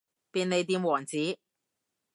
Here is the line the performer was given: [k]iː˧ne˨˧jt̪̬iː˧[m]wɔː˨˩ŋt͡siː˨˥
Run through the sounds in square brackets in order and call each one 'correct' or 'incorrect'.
incorrect, correct

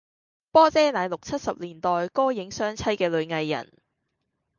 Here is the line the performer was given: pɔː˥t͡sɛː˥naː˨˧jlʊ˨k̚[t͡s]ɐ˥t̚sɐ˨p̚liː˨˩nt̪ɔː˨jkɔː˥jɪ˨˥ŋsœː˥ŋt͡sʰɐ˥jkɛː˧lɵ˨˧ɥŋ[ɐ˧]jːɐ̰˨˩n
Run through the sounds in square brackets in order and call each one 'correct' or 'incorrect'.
incorrect, correct

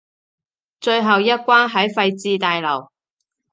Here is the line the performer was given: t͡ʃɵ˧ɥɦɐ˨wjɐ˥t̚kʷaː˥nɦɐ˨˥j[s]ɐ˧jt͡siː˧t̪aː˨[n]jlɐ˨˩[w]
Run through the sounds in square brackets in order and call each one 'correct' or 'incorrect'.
incorrect, incorrect, correct

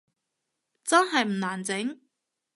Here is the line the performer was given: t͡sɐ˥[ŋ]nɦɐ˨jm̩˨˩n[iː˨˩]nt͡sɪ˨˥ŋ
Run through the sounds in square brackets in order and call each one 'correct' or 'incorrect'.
incorrect, incorrect

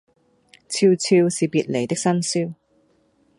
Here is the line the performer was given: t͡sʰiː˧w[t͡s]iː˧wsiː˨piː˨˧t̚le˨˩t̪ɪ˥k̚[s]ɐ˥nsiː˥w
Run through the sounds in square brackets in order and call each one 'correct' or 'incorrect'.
incorrect, correct

